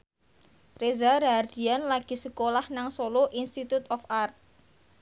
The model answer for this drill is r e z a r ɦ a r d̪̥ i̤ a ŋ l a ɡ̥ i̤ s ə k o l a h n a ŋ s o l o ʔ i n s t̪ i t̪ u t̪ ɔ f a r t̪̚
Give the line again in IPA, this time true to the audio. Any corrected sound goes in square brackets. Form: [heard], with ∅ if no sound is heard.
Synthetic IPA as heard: r e z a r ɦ a r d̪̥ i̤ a [n] l a ɡ̥ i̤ s ə k o l a h n a ŋ s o l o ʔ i n s t̪ i t̪ u t̪ ɔ f a r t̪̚